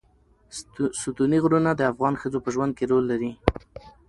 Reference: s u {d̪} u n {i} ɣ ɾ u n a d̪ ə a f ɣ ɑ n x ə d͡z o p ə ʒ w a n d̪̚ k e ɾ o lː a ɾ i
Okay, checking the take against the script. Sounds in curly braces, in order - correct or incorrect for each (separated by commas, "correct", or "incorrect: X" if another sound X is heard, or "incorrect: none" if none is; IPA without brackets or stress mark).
incorrect: t̪, correct